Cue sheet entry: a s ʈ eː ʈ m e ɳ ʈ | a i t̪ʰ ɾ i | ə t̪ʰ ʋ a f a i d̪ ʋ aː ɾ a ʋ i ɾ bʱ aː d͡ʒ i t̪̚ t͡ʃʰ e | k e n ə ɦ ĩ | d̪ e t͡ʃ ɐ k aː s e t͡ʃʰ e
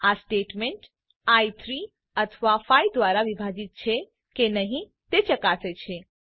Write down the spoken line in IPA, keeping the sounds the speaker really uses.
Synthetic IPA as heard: a s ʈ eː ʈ m e ɳ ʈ | a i t̪ʰ ɾ i | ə t̪ʰ ʋ a f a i d̪ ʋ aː ɾ a ʋ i bʱ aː d͡ʒ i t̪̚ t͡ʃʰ e | k e n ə ɦ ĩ | t̪ e t͡ʃ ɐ k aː s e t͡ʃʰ e